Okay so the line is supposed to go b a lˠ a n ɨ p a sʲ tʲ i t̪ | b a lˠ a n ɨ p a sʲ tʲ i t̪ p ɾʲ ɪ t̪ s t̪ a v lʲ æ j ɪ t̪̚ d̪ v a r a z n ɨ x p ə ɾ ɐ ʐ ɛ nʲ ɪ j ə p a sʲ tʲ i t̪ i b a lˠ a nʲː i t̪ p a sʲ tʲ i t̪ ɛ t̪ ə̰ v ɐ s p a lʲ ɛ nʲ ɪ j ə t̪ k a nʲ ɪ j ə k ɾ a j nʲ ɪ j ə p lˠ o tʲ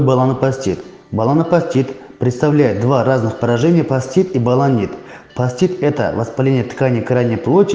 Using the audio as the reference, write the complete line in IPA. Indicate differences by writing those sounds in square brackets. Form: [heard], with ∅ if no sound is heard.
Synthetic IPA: b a lˠ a n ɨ p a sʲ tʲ i t̪ | b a lˠ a n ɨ p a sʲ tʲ i t̪ p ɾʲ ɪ t̪ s t̪ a v lʲ æ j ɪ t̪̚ d̪ v a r a z n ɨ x p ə ɾ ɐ ʐ ɛ nʲ ɪ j ə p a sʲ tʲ i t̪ i b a lˠ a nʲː i t̪ p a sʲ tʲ i t̪ ɛ t̪ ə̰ v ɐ s p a lʲ [e] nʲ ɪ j ə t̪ k a nʲ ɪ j ə k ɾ a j nʲ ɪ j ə p lˠ o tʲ